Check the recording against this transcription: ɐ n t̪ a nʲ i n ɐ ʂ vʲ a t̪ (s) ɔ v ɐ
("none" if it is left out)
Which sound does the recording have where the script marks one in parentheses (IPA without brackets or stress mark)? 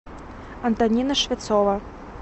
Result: s